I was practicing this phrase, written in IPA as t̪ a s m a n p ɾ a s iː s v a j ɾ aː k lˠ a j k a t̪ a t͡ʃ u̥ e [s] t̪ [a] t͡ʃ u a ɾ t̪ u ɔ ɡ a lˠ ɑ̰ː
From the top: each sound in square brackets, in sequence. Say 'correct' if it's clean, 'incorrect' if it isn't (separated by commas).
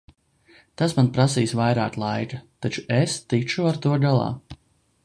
correct, incorrect